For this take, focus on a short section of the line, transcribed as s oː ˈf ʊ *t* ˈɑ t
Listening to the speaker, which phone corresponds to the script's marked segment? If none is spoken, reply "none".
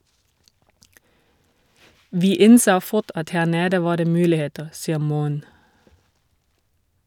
t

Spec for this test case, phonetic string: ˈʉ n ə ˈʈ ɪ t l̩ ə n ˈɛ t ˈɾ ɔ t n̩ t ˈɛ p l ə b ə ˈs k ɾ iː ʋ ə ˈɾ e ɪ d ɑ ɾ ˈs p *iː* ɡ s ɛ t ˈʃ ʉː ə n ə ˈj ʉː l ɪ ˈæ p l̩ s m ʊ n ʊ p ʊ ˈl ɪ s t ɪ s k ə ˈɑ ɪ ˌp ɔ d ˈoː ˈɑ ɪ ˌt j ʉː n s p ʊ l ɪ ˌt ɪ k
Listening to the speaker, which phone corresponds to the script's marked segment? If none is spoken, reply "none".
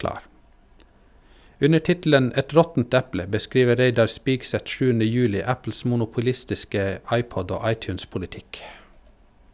iː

